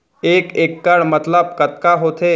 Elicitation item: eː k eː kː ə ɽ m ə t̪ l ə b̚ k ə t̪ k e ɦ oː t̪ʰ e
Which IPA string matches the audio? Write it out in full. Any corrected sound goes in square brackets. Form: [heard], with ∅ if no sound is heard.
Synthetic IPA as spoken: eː k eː kː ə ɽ m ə t̪ l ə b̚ k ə t̪ k [a] ɦ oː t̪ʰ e

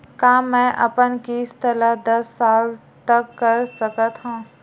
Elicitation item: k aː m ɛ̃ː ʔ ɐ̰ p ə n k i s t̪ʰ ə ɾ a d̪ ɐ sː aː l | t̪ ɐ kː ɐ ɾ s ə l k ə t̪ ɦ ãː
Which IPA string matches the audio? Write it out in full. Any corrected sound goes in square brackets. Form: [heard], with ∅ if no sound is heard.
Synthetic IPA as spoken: k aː m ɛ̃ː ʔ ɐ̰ p ə n k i s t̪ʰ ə [l] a d̪ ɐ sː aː l | t̪ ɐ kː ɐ ɾ s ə [∅] k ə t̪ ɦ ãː

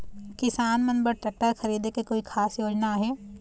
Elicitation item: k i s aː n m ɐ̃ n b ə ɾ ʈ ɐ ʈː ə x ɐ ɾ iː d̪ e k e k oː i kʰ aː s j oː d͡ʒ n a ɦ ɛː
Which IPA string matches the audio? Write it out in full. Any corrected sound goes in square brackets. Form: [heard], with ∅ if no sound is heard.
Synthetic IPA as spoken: k [ɪ] s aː n m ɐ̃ n b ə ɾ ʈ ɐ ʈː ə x ɐ ɾ iː d̪ e k e k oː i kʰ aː s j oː d͡ʒ n a ɦ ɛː

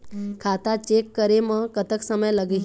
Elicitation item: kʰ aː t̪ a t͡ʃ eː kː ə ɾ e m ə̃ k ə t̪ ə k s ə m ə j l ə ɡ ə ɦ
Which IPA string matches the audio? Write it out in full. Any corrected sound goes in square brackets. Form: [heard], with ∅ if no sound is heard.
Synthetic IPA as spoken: kʰ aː t̪ a t͡ʃ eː kː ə ɾ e m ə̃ k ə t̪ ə k s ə m ə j l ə ɡ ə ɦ

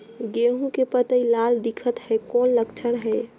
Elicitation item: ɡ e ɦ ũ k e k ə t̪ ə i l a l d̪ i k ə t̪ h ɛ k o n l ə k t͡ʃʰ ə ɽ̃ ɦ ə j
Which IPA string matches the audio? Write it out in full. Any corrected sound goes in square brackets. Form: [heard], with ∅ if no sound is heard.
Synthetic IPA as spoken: ɡ e ɦ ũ k e [p] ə t̪ ə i l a l d̪ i [kʰ] ə t̪ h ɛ k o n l ə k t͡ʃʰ ə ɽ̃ ɦ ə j

